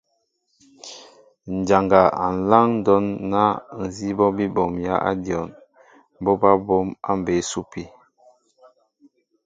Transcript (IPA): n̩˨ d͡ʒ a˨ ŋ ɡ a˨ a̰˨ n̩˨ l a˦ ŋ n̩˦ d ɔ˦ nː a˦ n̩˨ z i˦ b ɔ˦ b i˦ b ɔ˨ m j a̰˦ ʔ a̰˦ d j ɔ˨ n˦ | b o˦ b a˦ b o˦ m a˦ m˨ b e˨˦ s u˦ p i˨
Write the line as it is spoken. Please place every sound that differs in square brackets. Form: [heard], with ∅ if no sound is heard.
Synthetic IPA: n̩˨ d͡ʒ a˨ ŋ ɡ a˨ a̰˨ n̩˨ l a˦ ŋ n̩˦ d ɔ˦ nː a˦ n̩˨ z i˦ b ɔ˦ b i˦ b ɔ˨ m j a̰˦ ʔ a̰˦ d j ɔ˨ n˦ | b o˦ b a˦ b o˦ m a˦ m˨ b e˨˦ s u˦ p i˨